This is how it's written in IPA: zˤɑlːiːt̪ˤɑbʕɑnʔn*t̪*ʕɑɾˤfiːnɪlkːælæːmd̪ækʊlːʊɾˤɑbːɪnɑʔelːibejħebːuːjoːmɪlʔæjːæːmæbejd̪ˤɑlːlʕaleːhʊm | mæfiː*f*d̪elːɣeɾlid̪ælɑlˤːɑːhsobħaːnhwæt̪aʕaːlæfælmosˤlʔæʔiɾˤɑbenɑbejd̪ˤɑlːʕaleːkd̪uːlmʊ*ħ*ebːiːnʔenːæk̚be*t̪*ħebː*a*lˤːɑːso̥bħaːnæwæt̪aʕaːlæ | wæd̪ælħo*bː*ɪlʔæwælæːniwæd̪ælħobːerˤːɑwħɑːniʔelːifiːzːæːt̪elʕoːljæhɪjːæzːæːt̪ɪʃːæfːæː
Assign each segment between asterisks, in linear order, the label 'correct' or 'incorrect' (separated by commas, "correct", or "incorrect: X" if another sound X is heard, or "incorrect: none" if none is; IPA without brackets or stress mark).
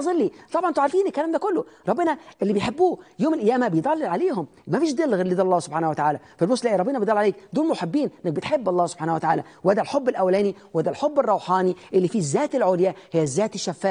correct, incorrect: ʃ, correct, correct, incorrect: ɑ, correct